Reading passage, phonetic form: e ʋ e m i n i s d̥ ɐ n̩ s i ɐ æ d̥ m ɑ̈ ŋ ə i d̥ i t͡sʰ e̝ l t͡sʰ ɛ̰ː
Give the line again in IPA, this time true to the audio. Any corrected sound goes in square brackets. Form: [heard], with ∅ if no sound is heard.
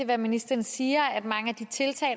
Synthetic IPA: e ʋ [æ] m i n i s d̥ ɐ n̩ s [iː] ɐ æ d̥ m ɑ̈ ŋ ə [æ] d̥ i t͡sʰ e̝ l t͡sʰ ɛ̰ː